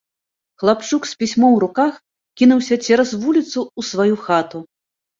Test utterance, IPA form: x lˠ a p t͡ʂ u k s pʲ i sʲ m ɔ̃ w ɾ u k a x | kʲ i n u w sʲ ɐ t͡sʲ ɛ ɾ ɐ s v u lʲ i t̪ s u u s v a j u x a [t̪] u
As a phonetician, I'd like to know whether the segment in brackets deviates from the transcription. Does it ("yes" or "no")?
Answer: no